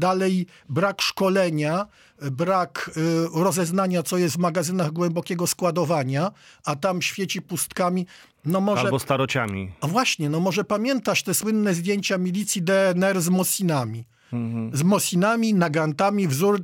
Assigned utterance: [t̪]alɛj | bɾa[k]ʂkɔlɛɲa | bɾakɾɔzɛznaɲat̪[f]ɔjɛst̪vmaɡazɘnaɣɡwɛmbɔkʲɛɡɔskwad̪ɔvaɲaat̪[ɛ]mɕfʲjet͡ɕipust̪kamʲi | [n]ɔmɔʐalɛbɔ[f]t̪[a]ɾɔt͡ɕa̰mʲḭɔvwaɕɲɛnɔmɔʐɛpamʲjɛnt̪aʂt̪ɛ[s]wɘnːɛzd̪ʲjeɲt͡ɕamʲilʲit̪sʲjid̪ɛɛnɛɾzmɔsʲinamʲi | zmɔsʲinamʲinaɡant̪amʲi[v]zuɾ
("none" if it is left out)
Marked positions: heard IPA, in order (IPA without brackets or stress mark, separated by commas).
d̪, k, s, a, n, s, a, s, v